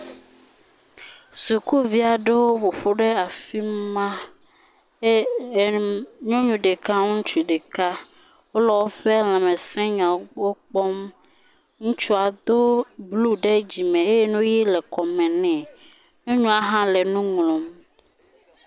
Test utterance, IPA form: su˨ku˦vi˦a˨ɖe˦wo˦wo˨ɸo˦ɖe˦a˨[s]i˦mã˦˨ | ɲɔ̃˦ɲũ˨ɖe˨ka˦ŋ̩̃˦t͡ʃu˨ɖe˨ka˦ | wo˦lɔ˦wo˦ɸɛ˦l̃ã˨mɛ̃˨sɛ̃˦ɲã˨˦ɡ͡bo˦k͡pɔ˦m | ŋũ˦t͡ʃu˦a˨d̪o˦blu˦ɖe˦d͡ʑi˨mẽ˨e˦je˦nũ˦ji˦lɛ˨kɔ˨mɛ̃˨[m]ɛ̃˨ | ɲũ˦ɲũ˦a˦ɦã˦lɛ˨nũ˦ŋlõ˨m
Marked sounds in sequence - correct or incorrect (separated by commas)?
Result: incorrect, incorrect